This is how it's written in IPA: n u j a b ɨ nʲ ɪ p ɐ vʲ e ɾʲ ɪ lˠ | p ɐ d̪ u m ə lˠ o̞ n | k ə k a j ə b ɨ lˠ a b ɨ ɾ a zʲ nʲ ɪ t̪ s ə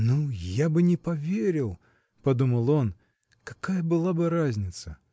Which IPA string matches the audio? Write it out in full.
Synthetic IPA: n u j a b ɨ nʲ ɪ p ɐ vʲ e ɾʲ ɪ lˠ | p ɐ d̪ u m ə lˠ o̞ n | k ɐ k a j ə b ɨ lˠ a b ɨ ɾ a zʲ nʲ ɪ t̪ s ə